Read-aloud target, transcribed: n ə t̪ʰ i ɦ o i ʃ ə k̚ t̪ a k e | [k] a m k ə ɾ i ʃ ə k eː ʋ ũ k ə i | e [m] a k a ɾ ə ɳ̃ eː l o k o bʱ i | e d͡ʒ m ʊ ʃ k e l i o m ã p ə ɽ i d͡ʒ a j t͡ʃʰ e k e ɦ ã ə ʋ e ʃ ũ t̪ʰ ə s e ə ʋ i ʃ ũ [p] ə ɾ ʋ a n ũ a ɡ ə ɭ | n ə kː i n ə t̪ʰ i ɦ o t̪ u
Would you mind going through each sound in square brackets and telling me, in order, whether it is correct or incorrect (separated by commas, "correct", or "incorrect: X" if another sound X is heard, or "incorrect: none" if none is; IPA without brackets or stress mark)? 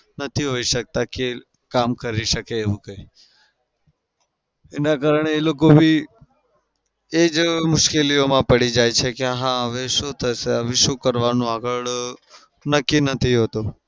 correct, incorrect: n, incorrect: k